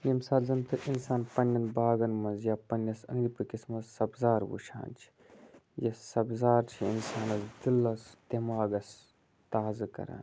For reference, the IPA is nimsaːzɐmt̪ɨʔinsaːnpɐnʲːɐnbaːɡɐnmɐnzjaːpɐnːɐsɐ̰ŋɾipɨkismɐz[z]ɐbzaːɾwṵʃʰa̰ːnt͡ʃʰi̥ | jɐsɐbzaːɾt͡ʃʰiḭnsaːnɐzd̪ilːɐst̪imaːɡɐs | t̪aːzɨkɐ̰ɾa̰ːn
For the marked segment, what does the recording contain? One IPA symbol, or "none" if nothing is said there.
s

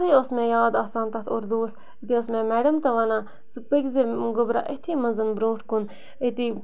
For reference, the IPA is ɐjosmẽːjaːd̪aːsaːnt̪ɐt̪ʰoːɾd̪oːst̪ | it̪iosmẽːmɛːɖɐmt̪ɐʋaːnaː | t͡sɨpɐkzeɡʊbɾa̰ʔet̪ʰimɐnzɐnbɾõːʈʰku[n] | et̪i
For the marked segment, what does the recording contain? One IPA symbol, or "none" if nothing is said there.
n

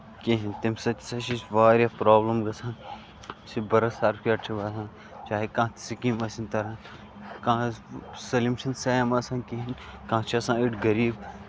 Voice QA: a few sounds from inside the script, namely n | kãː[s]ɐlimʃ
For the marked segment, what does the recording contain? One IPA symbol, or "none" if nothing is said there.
s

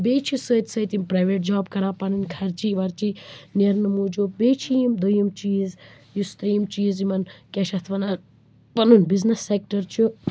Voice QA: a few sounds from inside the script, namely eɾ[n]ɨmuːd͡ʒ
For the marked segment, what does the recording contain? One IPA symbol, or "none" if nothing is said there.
n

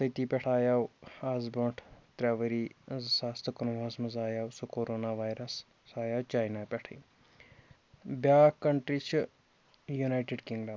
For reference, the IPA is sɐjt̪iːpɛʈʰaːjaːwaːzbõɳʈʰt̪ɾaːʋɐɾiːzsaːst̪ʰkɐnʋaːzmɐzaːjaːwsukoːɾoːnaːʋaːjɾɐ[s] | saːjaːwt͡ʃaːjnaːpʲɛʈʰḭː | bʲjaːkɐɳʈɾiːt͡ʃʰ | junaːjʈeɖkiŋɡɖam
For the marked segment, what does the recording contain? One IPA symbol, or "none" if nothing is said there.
s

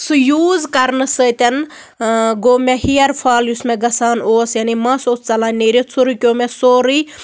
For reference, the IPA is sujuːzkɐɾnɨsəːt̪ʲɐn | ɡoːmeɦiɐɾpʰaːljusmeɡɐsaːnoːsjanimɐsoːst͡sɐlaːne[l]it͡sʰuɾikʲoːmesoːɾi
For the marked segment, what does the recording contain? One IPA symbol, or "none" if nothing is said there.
ɾ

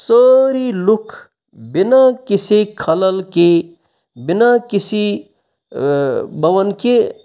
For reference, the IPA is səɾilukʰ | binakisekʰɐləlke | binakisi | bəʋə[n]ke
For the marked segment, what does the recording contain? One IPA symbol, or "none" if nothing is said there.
n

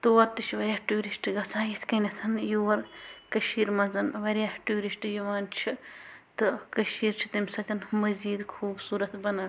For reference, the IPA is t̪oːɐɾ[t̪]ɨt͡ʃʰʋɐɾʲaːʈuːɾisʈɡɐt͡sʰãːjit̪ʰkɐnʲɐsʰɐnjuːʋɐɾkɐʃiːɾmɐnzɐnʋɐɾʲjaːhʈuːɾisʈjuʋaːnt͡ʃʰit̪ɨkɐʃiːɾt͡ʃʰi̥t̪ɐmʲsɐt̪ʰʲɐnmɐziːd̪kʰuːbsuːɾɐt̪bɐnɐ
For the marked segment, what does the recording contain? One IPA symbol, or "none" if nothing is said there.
t̪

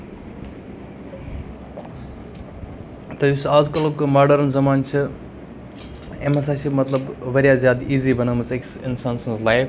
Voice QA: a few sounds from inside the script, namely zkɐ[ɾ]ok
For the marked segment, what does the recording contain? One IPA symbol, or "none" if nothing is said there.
l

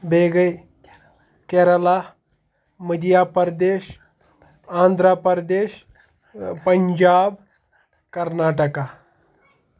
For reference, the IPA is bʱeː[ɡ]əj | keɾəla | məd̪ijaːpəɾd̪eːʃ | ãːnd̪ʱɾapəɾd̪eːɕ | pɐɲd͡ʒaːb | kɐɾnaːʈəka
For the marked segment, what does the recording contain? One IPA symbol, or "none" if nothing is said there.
ɡ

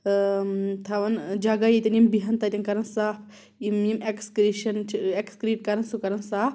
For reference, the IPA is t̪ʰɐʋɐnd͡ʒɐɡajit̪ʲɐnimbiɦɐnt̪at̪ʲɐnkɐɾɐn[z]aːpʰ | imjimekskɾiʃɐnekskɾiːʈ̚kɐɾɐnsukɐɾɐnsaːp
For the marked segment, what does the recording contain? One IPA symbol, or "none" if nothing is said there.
s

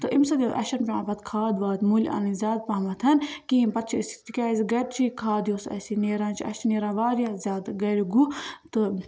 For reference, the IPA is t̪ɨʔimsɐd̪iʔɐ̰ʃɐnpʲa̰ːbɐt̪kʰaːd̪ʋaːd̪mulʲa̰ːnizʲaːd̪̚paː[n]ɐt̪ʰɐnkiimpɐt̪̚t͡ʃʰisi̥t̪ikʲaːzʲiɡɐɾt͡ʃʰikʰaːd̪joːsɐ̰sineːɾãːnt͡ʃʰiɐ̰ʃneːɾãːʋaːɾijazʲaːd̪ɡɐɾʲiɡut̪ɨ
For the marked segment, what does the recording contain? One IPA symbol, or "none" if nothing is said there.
m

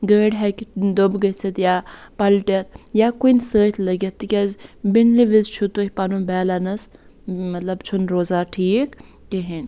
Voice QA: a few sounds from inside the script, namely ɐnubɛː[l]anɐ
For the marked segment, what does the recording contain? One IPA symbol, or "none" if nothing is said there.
l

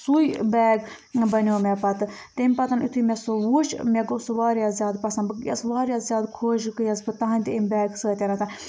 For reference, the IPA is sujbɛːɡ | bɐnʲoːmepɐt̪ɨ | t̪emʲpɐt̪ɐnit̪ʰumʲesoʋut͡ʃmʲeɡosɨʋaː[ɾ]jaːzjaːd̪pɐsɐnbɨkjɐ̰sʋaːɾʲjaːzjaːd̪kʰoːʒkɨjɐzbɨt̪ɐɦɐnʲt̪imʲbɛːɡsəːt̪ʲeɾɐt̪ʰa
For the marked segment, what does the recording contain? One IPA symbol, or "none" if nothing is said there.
ɾ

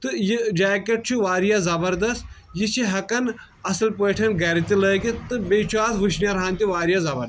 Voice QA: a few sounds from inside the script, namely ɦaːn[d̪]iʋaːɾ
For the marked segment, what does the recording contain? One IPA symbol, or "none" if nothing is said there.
t̪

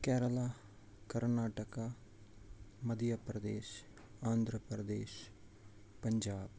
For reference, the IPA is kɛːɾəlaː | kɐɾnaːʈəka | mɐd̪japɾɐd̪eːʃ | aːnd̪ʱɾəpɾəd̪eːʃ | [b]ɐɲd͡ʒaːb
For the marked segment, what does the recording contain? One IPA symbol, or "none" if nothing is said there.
p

